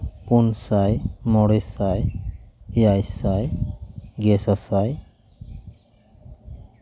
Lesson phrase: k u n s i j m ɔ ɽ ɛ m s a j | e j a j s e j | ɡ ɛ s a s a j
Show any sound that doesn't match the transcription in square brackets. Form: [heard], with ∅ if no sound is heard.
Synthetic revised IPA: [p] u n s [a] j m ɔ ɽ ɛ [∅] s a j | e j a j s [a] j | ɡ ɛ s a s a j